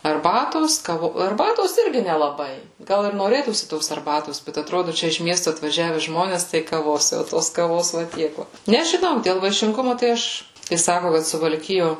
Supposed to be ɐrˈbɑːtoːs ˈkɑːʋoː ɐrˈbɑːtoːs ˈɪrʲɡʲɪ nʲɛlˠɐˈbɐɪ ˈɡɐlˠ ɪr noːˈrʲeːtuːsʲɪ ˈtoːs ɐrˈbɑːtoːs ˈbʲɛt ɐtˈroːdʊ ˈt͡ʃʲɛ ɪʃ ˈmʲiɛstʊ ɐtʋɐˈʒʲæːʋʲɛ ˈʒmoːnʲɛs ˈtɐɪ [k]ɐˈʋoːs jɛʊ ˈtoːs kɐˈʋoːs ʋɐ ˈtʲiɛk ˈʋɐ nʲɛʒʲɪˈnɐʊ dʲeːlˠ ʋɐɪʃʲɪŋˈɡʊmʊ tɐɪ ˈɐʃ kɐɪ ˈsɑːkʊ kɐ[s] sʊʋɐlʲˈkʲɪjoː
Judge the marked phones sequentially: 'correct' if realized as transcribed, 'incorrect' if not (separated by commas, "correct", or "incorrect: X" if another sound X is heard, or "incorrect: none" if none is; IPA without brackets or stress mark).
correct, incorrect: t